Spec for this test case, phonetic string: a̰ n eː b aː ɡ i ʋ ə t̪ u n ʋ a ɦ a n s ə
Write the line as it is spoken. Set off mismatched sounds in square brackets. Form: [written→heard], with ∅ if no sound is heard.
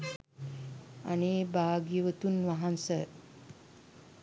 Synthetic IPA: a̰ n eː b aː ɡ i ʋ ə t̪ u n ʋ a ɦ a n s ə

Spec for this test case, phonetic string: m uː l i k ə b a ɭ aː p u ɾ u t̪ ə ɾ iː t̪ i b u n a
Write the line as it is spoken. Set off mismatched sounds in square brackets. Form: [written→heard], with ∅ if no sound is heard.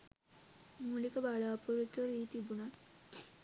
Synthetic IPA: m [uː→u] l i k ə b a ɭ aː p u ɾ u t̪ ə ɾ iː t̪ i b u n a

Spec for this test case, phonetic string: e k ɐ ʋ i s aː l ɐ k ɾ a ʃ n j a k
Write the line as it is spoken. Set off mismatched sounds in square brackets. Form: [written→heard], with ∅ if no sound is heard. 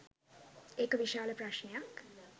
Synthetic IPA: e k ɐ ʋ i [s→ʃ] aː l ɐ [k→p] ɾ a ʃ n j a k

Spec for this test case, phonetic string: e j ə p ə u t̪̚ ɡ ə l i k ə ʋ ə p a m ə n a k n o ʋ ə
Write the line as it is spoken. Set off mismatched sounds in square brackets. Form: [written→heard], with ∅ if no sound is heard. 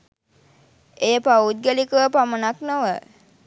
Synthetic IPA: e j ə p [ə→a] u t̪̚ ɡ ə l i k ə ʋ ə p a m ə n a k n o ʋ ə

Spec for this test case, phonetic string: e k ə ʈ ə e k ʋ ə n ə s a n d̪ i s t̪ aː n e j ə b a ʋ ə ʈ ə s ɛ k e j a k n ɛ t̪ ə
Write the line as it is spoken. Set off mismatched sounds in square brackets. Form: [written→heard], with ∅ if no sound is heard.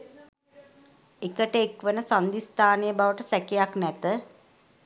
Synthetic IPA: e k ə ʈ ə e k ʋ ə n ə s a n d̪ i s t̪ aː n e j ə b a ʋ ə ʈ ə s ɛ k e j a k n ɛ t̪ ə

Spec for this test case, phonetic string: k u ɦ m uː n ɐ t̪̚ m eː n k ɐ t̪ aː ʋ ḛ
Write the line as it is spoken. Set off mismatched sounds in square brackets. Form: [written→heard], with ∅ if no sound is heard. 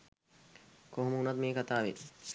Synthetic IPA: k [u→o] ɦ m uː n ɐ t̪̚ m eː [n→∅] k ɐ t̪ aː ʋ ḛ

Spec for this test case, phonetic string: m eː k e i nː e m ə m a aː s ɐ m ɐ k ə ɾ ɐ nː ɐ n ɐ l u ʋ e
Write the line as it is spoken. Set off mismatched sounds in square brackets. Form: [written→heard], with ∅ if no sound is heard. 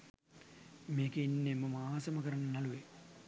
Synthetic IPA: m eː k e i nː e m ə m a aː s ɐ m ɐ k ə ɾ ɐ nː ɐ n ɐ l u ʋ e

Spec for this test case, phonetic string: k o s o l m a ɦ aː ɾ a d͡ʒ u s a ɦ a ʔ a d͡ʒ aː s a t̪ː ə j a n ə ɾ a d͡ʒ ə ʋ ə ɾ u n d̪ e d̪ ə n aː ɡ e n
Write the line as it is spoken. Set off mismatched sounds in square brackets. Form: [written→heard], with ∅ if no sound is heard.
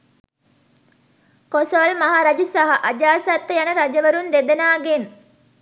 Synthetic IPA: k o s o l m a ɦ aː ɾ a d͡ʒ u s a ɦ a ʔ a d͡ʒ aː s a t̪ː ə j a n ə ɾ a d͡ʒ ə ʋ ə ɾ u n d̪ e d̪ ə n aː ɡ e n

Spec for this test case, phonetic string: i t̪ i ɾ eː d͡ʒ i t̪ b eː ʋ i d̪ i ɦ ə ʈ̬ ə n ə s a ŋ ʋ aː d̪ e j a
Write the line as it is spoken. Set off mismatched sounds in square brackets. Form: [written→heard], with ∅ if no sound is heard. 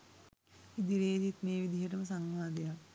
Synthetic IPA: i [t̪→d̪] i ɾ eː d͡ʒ i t̪ [b→m] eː ʋ i d̪ i ɦ ə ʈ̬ ə [n→m] ə s a ŋ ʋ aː d̪ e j a

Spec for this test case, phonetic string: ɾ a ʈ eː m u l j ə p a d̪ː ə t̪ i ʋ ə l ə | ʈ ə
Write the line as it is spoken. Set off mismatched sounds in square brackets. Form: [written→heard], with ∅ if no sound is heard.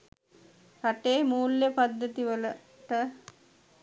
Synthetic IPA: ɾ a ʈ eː m [u→uː] l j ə p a d̪ː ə t̪ i ʋ ə l ə | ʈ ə

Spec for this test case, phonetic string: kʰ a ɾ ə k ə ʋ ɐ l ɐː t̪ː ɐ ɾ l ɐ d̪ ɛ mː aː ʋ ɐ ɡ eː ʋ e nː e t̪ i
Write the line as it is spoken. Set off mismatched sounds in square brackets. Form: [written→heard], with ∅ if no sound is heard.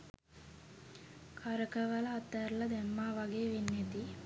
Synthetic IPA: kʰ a ɾ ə k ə ʋ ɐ l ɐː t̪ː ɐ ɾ l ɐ d̪ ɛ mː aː ʋ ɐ ɡ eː ʋ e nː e t̪ i

